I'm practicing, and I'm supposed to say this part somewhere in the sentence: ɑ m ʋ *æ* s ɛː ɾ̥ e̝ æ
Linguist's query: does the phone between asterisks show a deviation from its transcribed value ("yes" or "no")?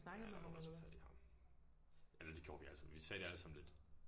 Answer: yes